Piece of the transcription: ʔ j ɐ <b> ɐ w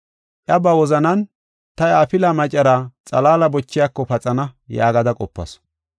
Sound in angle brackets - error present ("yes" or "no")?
no